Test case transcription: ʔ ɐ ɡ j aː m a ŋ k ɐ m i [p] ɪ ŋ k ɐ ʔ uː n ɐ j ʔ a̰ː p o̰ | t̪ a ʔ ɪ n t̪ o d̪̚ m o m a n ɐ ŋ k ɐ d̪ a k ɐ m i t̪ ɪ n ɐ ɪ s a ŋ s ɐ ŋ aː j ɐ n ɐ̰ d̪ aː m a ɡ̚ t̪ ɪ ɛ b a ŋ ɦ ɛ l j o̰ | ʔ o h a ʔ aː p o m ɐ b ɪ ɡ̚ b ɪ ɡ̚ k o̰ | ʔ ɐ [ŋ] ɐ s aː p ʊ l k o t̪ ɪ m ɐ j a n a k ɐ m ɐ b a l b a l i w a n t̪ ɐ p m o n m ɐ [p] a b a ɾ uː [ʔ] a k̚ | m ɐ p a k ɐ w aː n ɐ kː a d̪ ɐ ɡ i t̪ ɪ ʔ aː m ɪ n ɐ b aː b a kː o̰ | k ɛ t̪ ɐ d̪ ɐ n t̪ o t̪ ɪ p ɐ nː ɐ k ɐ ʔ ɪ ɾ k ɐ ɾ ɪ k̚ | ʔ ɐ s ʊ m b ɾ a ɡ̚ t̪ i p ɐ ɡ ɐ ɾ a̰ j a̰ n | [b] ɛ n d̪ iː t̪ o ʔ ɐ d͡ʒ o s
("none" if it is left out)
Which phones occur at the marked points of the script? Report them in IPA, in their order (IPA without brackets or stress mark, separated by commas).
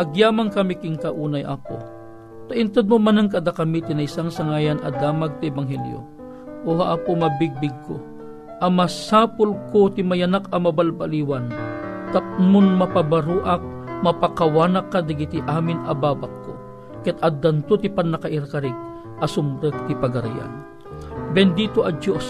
k, m, p, ʔ, b